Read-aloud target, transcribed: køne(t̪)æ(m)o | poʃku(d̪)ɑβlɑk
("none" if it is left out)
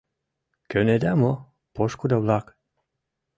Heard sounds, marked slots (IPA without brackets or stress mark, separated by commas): d̪, m, d̪